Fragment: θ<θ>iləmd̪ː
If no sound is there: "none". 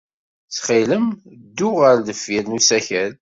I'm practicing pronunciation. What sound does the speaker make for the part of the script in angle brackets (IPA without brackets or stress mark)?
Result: χ